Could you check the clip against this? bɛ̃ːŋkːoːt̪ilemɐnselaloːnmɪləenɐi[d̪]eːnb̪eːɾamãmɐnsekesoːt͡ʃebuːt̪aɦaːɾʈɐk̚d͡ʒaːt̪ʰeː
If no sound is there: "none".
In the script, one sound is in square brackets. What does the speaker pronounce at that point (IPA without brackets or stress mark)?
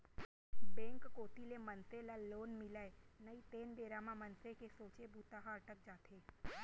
t̪